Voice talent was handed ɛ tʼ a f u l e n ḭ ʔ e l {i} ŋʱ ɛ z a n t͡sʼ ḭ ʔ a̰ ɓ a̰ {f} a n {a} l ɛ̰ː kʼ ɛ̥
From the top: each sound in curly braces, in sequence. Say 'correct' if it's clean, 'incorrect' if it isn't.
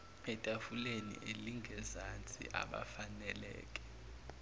correct, correct, incorrect: ɛ

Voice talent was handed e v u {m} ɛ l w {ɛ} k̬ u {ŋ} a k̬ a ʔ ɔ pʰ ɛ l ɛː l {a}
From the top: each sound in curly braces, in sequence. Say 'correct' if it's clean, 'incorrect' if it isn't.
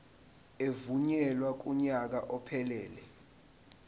incorrect: ɲ, incorrect: a, incorrect: ɲ, incorrect: ɛ

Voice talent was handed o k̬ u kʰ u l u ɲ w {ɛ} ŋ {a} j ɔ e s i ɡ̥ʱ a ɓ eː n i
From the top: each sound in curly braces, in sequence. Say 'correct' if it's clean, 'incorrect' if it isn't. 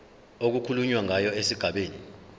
incorrect: a, correct

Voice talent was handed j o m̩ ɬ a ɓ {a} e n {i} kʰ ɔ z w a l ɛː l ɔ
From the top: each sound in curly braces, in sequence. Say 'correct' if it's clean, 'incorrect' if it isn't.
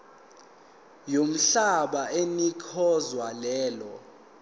correct, correct

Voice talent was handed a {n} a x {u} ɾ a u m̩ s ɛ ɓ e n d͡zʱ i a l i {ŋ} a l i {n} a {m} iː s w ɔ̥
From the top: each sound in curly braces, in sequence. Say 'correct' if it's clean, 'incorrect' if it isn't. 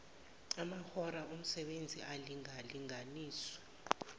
incorrect: m, incorrect: ɔ, correct, incorrect: ŋ, incorrect: n

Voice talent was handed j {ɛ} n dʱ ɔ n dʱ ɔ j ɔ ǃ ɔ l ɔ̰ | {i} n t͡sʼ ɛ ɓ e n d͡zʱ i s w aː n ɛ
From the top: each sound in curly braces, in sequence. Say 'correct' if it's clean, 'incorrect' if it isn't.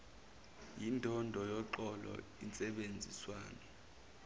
incorrect: i, correct

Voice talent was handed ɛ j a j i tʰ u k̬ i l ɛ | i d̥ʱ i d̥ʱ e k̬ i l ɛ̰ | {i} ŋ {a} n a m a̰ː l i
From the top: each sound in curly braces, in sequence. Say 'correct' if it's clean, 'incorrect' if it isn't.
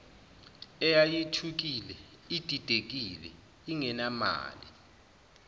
correct, incorrect: ɛ

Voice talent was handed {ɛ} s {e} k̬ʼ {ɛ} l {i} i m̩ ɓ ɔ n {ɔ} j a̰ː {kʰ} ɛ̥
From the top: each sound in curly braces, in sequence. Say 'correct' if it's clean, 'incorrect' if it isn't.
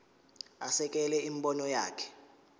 incorrect: a, incorrect: ɛ, correct, incorrect: ɛ, correct, correct

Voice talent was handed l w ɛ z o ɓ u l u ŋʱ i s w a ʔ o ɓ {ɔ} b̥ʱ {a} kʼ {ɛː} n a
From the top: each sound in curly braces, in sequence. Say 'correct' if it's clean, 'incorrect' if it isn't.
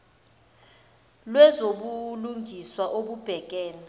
incorrect: u, incorrect: ɛ, correct

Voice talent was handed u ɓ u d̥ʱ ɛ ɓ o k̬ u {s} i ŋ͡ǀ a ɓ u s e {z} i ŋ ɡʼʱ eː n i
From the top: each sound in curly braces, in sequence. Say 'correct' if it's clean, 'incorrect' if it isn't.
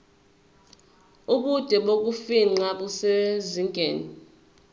incorrect: f, correct

